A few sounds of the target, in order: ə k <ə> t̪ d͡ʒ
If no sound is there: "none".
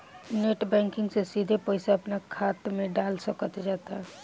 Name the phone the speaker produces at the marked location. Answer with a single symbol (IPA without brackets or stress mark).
ə